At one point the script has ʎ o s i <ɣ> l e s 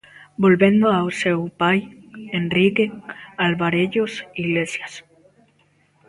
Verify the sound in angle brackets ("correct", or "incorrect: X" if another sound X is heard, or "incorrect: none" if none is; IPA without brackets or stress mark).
correct